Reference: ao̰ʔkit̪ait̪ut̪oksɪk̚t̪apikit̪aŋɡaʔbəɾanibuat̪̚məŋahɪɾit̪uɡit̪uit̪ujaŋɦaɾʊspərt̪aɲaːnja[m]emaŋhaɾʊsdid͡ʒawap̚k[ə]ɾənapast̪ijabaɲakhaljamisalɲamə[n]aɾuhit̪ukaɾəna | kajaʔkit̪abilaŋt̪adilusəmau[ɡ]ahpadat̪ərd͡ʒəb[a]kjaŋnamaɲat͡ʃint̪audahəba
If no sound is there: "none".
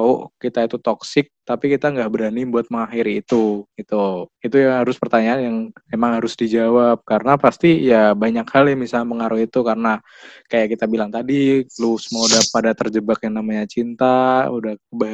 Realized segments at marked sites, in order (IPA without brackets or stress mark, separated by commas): ŋ, a, ŋ, d, a